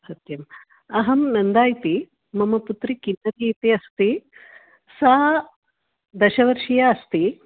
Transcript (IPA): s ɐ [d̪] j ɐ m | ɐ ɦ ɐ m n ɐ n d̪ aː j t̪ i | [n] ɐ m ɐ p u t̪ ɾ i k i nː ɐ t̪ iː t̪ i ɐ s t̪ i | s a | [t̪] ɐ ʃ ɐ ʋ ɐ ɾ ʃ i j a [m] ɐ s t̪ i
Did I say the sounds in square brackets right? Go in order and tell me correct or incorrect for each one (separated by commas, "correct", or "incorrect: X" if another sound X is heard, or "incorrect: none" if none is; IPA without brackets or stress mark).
incorrect: t̪, incorrect: m, incorrect: d̪, incorrect: none